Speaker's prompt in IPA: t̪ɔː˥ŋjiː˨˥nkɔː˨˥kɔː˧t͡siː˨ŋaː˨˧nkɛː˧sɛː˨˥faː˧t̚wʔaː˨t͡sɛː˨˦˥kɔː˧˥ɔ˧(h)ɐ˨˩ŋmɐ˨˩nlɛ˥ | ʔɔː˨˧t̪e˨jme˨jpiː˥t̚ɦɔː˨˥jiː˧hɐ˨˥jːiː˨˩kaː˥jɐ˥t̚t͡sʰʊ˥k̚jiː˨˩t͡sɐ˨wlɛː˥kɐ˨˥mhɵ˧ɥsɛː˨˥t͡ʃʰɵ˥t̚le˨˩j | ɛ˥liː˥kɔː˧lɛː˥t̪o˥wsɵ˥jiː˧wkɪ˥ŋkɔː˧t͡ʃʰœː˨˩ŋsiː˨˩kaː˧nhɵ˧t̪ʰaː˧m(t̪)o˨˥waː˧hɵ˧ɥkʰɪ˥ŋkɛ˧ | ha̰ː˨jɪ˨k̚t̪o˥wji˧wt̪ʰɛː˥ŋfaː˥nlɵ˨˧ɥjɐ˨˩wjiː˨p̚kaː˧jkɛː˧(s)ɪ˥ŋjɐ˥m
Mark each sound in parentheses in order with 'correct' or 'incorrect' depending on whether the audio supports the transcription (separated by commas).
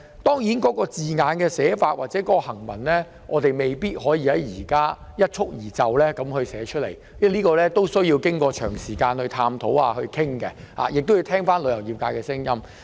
correct, incorrect, correct